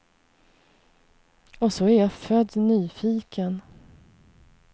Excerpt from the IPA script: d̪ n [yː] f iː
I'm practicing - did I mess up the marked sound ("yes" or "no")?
no